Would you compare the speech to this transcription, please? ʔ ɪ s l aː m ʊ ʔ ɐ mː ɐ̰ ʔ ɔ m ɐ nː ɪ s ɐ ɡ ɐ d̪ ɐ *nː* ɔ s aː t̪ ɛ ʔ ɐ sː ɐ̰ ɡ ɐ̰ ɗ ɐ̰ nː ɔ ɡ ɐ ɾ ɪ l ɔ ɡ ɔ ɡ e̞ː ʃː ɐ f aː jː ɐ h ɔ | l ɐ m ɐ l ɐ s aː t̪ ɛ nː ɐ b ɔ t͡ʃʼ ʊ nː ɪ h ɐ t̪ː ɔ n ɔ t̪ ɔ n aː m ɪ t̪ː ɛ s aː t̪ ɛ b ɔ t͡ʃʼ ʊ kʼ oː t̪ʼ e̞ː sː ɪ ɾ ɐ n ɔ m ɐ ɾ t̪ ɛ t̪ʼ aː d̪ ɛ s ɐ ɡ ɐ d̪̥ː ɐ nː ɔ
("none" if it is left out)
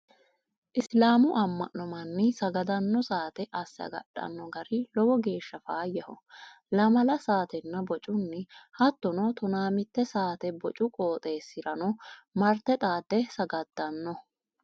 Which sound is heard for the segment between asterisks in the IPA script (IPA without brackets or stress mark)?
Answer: nː